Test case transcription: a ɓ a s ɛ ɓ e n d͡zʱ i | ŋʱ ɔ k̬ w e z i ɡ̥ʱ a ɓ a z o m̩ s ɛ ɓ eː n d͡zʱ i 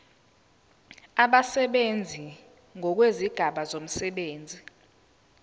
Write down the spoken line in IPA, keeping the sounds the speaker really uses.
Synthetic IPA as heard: a ɓ a s ɛ ɓ e n d͡zʱ i | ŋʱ ɔ k̬ w e z i ɡ̥ʱ a ɓ a z o m̩ s ɛ ɓ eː n d͡zʱ i